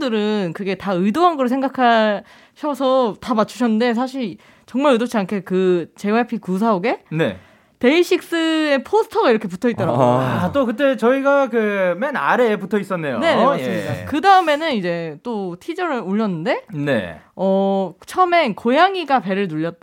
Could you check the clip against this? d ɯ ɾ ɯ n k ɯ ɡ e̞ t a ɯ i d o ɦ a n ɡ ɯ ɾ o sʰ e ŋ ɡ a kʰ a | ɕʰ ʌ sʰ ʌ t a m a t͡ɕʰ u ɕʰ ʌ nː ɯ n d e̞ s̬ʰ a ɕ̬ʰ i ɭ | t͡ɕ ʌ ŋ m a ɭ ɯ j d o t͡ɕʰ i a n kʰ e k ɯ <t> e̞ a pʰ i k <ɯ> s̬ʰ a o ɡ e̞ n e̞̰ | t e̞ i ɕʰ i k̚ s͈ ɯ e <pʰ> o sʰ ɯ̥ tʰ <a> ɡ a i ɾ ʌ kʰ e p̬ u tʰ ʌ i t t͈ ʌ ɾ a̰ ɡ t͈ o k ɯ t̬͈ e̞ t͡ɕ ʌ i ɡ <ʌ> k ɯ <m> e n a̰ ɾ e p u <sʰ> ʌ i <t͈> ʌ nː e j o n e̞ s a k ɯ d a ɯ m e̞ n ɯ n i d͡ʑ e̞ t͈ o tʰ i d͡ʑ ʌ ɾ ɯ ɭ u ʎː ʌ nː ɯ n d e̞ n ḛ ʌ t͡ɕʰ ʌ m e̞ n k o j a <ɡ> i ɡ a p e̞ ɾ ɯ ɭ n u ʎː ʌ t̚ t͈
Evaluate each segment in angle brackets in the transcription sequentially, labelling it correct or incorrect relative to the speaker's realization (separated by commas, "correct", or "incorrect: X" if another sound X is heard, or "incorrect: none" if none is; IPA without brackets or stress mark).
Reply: incorrect: t͡ɕ, incorrect: u, correct, incorrect: ʌ, incorrect: a, correct, incorrect: tʰ, incorrect: s͈, incorrect: ŋ